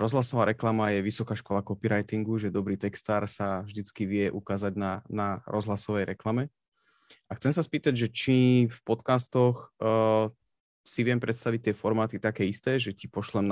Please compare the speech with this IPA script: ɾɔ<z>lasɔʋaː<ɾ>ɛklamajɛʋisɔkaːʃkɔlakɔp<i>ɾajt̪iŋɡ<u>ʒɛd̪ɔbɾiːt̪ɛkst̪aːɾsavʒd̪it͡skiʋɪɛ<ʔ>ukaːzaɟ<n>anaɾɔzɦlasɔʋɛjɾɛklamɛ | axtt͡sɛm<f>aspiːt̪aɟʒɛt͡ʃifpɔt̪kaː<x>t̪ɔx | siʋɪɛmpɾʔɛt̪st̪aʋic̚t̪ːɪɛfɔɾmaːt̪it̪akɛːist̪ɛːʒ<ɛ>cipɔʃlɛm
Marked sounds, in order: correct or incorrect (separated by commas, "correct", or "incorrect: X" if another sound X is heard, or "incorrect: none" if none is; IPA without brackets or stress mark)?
correct, correct, correct, correct, correct, correct, incorrect: s, incorrect: s, correct